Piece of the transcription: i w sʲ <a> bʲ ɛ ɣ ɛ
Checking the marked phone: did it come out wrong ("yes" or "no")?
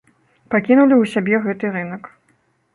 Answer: no